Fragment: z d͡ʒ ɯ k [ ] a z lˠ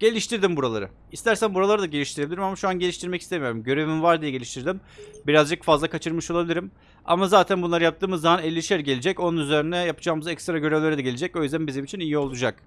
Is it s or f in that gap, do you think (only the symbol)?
f